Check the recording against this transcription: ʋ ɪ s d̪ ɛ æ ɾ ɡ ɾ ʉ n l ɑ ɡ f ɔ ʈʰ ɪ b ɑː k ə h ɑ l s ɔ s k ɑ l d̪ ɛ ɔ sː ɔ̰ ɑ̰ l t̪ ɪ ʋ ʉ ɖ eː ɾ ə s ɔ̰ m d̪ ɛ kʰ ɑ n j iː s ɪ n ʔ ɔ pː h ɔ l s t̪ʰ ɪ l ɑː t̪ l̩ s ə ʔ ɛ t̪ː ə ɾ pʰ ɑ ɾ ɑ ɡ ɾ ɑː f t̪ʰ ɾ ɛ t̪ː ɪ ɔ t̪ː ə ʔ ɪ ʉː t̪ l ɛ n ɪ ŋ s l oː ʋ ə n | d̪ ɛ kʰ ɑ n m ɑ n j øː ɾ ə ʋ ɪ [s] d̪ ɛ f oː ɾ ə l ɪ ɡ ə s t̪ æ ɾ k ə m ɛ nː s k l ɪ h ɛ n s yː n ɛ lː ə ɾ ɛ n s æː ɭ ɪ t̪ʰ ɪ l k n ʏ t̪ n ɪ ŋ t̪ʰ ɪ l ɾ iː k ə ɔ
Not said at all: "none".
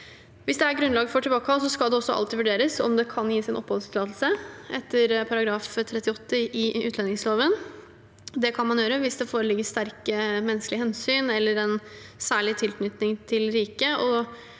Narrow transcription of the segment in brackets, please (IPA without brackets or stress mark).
s